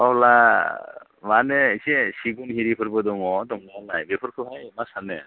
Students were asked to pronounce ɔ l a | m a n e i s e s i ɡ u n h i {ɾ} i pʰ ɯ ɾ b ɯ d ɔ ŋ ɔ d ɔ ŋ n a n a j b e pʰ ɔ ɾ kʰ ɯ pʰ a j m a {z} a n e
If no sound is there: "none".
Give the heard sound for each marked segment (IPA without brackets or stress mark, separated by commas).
ɾ, s